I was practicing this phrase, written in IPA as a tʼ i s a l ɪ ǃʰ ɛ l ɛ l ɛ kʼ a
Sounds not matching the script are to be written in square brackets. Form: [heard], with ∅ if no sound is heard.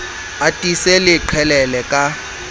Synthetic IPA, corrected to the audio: a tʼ i s [ɛ] l ɪ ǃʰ ɛ l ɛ l ɛ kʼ a